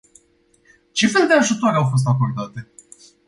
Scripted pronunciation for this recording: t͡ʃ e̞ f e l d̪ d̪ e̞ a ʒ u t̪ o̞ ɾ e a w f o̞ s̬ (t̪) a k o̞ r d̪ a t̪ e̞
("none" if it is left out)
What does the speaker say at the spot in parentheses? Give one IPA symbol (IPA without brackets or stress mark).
t̪